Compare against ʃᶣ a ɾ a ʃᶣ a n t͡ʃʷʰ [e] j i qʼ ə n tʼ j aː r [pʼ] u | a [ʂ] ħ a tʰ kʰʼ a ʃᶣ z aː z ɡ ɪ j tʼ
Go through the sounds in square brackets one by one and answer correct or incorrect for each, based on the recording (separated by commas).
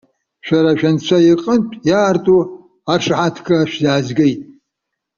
incorrect, incorrect, correct